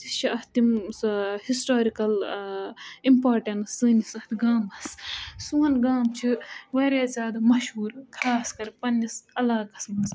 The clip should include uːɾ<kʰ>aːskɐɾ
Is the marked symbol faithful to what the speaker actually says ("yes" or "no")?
yes